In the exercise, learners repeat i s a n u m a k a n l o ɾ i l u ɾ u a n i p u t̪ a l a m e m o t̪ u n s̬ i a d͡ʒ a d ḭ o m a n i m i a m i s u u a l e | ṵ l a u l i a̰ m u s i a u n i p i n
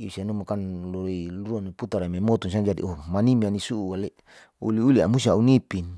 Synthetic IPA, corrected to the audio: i s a n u m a k a n l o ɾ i l u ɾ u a n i p u t̪ a ɾ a m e m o t̪ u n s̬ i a d͡ʒ a d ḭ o m a n i m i a n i s u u a l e | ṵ l i u l i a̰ m u s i a u n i p i n